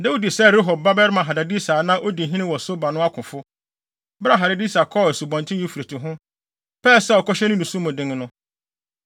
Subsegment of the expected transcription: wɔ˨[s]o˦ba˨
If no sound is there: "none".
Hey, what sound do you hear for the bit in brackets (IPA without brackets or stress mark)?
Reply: s